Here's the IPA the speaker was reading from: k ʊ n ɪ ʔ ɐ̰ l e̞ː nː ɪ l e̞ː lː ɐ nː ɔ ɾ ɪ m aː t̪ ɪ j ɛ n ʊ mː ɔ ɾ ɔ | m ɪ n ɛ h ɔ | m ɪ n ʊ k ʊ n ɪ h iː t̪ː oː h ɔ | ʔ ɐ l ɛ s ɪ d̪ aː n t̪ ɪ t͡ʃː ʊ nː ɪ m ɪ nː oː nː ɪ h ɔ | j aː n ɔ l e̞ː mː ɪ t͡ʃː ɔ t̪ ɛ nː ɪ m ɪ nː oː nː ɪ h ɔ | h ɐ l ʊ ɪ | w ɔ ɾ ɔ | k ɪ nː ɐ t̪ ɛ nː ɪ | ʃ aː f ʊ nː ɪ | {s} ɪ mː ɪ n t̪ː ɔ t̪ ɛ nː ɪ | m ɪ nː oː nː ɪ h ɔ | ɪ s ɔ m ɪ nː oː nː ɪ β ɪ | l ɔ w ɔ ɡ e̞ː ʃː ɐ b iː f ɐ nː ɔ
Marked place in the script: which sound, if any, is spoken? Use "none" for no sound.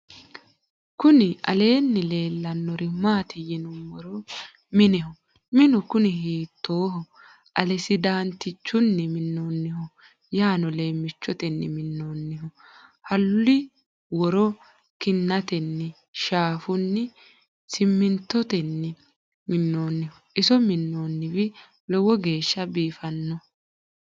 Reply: s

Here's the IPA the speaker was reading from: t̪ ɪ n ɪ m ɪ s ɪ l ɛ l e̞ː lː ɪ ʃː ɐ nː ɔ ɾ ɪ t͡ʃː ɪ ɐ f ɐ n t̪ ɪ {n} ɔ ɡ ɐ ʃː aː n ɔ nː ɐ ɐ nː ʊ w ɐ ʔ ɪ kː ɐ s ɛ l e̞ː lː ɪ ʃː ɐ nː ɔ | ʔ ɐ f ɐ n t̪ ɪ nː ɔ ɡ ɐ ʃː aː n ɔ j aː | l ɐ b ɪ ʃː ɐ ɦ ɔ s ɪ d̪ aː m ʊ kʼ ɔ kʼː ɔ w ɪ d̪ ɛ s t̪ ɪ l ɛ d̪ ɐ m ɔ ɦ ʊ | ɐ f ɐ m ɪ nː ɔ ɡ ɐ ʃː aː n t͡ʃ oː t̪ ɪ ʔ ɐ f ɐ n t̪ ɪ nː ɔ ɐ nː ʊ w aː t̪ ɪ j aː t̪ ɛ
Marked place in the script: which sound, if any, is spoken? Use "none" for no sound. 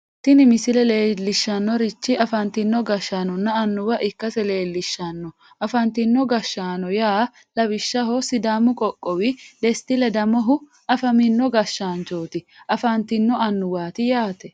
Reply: nː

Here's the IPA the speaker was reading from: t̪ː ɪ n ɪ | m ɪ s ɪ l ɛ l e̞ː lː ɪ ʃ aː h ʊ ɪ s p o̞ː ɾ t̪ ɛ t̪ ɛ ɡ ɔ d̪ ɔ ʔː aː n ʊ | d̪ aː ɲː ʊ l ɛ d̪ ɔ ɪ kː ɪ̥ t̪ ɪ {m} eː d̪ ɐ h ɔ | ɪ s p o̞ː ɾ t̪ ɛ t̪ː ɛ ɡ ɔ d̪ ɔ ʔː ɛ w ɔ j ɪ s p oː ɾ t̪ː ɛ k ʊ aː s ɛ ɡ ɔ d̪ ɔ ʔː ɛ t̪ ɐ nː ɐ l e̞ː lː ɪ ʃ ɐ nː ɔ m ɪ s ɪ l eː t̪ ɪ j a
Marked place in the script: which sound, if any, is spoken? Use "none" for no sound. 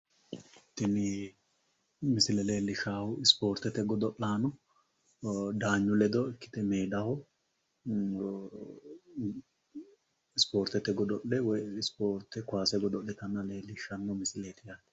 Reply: m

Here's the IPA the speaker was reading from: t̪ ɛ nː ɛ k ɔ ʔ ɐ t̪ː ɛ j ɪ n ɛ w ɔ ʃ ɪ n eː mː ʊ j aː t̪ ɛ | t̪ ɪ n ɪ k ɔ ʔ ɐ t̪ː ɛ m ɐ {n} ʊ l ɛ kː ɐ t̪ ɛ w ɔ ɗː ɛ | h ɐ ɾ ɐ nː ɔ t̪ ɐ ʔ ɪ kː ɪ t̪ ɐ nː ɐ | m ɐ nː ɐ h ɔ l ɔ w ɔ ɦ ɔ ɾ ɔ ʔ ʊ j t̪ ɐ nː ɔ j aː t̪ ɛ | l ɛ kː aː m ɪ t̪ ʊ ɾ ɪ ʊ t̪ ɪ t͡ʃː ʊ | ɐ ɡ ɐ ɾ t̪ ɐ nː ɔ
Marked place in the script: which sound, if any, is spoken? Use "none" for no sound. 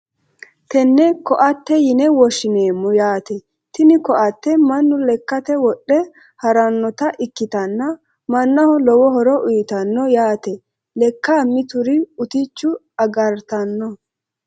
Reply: nː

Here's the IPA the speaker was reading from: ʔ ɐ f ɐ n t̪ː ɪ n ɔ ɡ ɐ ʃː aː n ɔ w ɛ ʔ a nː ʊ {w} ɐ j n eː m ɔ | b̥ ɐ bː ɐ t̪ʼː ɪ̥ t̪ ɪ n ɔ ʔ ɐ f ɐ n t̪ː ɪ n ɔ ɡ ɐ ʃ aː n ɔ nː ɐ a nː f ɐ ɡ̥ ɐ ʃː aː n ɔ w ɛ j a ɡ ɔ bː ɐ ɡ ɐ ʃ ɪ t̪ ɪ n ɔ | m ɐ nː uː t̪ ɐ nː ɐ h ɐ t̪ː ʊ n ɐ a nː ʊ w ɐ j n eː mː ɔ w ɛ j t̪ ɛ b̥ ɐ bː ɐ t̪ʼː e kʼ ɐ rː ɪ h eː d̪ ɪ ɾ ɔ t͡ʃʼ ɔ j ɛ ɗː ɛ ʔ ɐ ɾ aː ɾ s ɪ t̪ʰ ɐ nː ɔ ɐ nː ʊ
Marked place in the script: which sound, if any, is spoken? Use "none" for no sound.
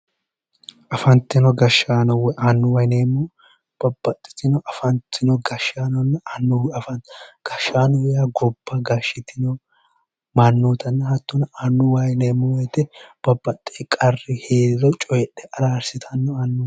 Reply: w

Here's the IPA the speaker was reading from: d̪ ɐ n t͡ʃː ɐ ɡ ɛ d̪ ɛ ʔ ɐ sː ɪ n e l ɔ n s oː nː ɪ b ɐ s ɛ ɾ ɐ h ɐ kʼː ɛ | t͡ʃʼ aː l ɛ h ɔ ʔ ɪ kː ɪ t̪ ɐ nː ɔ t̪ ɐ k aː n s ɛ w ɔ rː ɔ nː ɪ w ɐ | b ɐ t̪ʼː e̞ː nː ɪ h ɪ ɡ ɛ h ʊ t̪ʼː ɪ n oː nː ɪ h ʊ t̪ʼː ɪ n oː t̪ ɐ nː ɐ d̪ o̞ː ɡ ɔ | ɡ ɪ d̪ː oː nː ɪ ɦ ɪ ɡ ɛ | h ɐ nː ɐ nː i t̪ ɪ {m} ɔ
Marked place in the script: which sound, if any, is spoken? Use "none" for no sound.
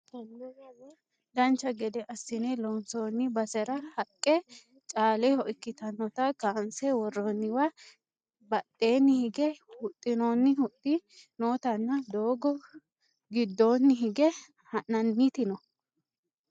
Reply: n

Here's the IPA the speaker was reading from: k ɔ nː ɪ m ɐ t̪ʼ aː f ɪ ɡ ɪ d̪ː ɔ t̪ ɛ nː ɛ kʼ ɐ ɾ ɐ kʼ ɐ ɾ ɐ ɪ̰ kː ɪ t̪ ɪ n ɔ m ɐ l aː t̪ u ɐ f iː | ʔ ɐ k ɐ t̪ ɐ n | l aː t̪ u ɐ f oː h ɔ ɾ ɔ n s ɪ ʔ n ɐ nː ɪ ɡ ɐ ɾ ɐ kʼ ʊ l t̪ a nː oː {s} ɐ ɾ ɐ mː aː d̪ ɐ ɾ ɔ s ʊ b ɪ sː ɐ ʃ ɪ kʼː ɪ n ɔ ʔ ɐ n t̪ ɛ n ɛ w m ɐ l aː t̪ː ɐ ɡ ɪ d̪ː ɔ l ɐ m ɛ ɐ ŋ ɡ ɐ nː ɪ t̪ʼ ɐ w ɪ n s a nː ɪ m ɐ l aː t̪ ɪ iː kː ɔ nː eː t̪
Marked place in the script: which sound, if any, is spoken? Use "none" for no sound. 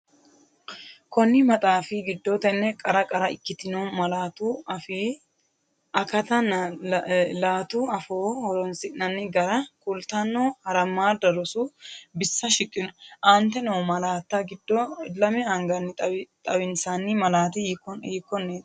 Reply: h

